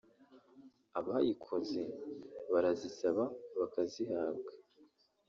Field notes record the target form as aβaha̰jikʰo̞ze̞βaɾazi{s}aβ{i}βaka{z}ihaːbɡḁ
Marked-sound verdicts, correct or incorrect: correct, incorrect, correct

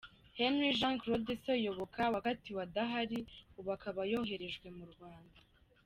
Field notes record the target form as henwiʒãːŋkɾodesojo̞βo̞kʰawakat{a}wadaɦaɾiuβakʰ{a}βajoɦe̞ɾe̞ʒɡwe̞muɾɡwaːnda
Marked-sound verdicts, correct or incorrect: incorrect, correct

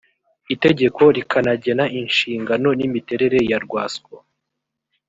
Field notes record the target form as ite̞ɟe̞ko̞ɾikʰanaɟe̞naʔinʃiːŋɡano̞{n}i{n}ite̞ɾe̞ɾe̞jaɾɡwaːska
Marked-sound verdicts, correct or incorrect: correct, incorrect

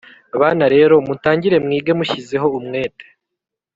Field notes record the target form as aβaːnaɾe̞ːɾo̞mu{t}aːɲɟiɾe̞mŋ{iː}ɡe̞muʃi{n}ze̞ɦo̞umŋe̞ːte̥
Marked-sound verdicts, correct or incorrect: correct, correct, incorrect

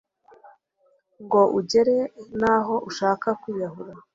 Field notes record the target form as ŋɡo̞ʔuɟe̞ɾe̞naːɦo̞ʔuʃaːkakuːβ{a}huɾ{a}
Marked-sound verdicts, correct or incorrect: correct, correct

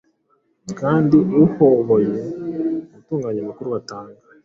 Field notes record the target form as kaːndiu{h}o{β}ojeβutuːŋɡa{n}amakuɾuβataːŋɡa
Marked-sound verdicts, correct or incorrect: correct, correct, incorrect

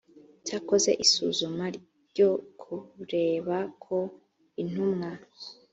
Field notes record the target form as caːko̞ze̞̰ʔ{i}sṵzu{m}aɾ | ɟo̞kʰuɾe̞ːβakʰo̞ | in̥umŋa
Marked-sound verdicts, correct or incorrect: correct, correct

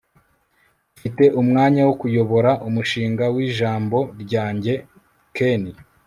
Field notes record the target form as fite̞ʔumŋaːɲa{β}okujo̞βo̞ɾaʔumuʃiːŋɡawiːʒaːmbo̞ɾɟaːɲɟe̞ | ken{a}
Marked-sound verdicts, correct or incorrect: incorrect, incorrect

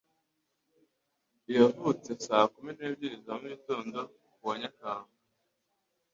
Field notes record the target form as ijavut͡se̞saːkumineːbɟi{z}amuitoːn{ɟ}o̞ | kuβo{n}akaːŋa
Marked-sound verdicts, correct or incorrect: correct, incorrect, incorrect

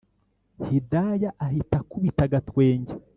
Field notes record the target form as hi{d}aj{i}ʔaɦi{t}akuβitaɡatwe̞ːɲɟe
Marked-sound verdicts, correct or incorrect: correct, incorrect, correct

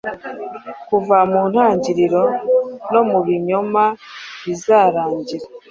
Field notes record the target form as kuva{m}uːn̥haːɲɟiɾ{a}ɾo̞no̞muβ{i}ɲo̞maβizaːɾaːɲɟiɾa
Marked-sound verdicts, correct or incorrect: correct, incorrect, correct

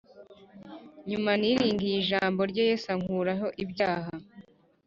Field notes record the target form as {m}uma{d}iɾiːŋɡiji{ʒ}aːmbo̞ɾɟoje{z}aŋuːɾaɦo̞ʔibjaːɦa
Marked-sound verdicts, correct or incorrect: incorrect, incorrect, correct, incorrect

